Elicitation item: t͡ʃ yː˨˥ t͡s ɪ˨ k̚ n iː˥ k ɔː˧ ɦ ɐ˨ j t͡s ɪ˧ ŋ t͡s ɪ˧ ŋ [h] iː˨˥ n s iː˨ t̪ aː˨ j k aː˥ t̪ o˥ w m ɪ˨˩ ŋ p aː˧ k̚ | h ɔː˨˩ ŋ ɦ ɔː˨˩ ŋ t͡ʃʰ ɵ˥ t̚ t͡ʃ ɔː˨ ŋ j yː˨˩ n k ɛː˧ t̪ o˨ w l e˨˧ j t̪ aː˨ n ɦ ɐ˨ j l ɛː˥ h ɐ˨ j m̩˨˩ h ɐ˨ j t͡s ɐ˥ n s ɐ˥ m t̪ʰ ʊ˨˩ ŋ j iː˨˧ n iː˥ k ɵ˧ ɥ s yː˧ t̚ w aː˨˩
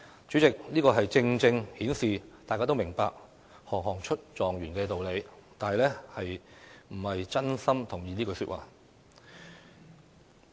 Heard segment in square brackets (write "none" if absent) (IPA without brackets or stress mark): h